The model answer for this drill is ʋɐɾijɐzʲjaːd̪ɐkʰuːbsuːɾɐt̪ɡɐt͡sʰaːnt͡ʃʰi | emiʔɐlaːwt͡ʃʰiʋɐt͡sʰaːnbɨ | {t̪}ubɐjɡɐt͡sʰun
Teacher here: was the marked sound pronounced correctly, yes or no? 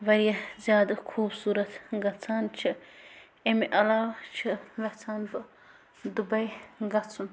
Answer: no